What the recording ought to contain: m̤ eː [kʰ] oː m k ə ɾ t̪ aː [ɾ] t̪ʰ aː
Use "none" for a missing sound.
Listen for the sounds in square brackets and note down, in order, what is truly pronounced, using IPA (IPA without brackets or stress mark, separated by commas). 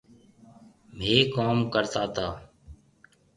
k, none